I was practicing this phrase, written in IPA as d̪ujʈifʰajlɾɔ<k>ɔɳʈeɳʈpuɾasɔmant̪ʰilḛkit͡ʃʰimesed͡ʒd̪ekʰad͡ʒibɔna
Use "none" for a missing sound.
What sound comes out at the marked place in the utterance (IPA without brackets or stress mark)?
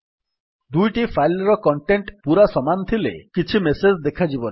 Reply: k